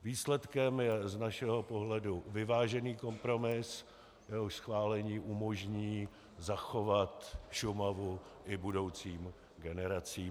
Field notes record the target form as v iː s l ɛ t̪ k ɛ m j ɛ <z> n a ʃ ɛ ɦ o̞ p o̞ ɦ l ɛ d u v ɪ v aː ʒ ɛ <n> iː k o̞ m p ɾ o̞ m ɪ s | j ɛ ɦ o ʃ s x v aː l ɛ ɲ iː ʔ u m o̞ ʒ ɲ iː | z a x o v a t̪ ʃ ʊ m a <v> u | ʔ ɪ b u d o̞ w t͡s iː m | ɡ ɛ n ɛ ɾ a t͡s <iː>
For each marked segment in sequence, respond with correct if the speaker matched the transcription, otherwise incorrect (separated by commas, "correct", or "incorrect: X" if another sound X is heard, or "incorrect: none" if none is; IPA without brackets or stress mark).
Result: correct, correct, correct, correct